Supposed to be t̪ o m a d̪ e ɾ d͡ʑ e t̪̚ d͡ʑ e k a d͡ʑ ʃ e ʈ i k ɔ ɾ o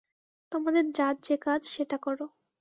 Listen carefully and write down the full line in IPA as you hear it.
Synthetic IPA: t̪ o m a d̪ e ɾ d͡ʑ a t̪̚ d͡ʑ e k a d͡ʑ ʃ e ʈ a k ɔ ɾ o

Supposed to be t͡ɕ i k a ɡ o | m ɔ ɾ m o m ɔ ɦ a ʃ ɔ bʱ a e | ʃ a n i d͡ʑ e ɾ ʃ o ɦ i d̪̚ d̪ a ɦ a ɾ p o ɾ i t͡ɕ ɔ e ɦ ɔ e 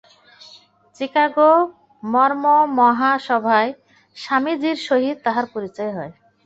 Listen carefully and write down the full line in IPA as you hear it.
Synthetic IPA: t͡ɕ i k a ɡ o | m ɔ ɾ m o m ɔ ɦ a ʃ ɔ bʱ a e | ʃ a m i d͡ʑ i ɾ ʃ o ɦ i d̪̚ t̪ a ɦ a ɾ p o ɾ i t͡ɕ ɔ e ɦ ɔ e

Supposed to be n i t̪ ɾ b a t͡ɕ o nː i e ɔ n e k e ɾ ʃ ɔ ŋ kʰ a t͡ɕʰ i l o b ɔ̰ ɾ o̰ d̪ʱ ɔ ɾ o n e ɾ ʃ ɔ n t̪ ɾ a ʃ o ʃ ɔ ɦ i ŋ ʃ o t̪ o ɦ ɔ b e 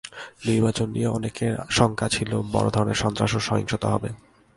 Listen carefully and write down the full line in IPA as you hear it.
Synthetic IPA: n i ɾ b a t͡ɕ o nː i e ɔ n e k e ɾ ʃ ɔ ŋ kʰ a t͡ɕʰ i l o b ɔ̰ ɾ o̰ d̪ʱ ɔ ɾ o n e ɾ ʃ ɔ n t̪ ɾ a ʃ o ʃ ɔ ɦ i ŋ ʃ o t̪ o ɦ ɔ b e

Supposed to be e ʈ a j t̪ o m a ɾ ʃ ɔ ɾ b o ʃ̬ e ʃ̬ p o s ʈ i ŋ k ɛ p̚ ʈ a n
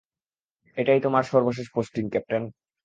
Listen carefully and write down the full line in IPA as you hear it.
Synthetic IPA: e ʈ a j t̪ o m a ɾ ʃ ɔ ɾ b o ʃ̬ e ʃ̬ p o s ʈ i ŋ k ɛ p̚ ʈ a n

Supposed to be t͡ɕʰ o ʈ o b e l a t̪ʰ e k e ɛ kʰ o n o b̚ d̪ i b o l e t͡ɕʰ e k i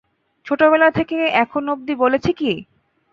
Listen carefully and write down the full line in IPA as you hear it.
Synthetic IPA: t͡ɕʰ o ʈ o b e l a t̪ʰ e k e ɛ kʰ o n o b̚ d̪ i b o l e t͡ɕʰ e k i

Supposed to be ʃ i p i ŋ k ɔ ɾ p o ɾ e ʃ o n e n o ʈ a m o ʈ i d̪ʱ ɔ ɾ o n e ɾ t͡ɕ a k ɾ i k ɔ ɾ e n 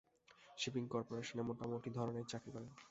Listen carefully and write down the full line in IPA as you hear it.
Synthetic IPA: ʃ i p i ŋ k ɔ ɾ p o ɾ e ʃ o n e m o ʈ a m o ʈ i d̪ʱ ɔ ɾ o n e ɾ t͡ɕ a k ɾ i k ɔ ɾ e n

